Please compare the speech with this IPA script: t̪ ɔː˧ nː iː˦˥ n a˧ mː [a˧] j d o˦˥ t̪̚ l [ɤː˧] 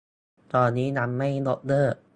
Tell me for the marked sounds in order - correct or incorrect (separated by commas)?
incorrect, incorrect